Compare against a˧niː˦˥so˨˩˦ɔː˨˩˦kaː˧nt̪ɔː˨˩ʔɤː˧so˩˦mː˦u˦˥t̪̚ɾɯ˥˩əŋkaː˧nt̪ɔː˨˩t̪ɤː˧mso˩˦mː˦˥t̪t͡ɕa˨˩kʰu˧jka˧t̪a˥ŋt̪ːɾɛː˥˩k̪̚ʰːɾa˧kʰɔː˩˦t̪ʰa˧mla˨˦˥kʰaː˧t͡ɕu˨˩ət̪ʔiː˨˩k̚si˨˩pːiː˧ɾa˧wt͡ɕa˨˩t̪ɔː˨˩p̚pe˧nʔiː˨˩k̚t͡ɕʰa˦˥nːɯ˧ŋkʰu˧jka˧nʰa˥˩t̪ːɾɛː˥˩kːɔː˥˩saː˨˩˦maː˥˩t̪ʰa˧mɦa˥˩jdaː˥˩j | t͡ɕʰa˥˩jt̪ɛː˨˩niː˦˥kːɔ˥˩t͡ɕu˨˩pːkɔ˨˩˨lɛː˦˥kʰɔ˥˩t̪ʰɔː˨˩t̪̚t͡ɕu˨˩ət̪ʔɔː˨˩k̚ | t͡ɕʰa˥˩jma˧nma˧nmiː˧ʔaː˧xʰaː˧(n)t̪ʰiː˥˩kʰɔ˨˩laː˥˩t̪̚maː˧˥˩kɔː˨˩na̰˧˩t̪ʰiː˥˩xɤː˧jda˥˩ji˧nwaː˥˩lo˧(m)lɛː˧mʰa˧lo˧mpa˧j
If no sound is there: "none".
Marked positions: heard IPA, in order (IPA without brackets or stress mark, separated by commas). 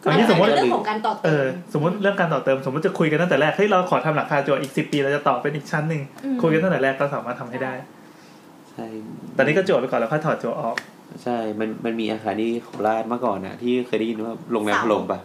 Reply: n, ŋ